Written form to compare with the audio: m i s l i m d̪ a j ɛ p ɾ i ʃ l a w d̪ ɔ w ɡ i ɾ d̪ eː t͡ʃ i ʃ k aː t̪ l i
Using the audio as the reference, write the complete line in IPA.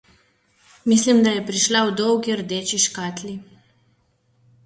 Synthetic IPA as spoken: m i s l i m d̪ a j ɛ p ɾ i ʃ l a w d̪ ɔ w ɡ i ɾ d̪ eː t͡ʃ i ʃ k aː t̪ l i